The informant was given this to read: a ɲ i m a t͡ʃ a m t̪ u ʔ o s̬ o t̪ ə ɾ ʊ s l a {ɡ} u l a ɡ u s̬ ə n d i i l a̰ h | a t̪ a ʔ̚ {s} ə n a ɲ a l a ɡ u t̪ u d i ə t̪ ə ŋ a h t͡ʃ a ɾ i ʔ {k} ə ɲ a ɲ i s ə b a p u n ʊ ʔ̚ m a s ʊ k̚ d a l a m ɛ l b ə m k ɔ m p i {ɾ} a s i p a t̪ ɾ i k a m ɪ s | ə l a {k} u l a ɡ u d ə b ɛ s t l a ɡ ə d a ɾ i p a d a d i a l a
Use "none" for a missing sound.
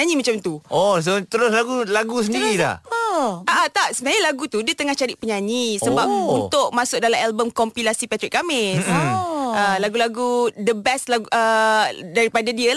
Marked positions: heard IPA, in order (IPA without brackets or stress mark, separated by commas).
ɡ, s, p, l, ɡ